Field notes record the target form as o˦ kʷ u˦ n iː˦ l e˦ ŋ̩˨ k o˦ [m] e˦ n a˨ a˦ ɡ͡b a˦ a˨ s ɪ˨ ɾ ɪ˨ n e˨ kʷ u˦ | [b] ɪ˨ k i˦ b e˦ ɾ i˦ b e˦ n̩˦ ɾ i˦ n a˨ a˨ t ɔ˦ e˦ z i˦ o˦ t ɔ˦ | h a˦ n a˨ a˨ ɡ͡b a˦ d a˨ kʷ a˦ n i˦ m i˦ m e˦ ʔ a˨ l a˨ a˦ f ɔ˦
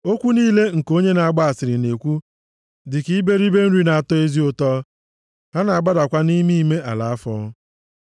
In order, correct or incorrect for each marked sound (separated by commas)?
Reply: incorrect, incorrect